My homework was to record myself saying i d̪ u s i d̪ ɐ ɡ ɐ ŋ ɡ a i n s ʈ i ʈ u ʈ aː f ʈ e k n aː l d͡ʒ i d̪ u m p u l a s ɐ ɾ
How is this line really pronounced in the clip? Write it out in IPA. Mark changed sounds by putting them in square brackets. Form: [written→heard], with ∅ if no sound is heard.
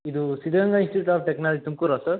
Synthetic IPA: i d̪ u s i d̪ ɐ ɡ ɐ ŋ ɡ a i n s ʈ i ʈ u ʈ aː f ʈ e k n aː l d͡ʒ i [d̪→t̪] u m [p→k] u [l→ɾ] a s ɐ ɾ